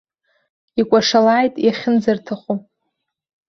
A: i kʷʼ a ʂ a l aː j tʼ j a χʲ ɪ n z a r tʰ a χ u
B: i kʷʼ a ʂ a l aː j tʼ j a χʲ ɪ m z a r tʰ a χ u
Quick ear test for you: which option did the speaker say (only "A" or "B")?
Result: A